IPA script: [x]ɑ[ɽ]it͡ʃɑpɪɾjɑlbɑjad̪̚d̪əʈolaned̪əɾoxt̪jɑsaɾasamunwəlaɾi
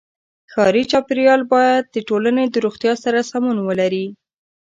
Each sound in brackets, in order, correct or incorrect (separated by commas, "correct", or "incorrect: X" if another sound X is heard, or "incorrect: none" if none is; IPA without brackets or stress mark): correct, incorrect: ɾ